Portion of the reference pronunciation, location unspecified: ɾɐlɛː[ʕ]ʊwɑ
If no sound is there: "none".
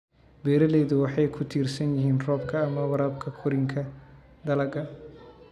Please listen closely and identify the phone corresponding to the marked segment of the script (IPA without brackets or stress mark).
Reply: ð